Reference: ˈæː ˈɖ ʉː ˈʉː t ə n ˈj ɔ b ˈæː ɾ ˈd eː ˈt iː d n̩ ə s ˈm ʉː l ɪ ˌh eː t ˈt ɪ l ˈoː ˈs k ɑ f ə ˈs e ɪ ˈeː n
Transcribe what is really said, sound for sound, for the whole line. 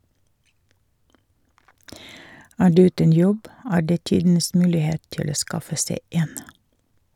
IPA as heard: ˈæː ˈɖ ʉː ˈʉː t ə n ˈj ɔ b ˈæː ɾ ˈd eː ˈt iː d n̩ ə s ˈm ʉː l ɪ ˌh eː t ˈt ɪ l ˈoː ˈs k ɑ f ə ˈs e ɪ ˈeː n